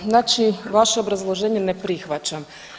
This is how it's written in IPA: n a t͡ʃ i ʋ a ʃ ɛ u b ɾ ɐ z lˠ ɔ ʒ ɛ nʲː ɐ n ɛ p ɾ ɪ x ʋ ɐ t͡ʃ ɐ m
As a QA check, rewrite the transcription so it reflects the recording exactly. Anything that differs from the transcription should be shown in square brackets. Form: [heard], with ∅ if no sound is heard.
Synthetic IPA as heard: n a t͡ʃ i ʋ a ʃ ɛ [ɔ] b ɾ ɐ z lˠ ɔ ʒ ɛ nʲː ɐ n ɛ p ɾ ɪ x ʋ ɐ t͡ʃ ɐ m